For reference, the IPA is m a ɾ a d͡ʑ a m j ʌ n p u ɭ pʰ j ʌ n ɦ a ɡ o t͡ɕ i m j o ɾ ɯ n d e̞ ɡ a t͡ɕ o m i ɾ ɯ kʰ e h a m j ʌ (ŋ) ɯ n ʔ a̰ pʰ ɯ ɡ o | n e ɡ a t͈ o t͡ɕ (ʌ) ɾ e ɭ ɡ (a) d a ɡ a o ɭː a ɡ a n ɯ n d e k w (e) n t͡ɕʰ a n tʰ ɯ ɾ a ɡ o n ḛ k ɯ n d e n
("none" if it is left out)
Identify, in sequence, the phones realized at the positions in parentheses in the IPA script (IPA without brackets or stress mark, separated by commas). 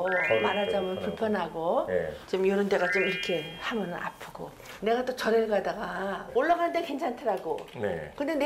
n, ʌ, a, e